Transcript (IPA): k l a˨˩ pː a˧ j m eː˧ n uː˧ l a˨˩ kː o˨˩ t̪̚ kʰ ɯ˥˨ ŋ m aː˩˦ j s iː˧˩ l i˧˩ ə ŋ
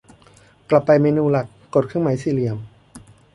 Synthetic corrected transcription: k l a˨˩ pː a˧ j m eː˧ n uː˧ l a˨˩ kː o˨˩ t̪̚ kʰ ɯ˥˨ ŋ m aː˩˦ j s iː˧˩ l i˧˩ ə m